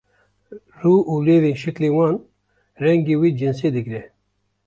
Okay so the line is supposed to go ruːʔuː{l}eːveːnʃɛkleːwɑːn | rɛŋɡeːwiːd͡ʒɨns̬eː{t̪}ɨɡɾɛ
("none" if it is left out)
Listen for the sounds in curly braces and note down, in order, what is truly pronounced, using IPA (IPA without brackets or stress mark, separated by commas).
l, d̪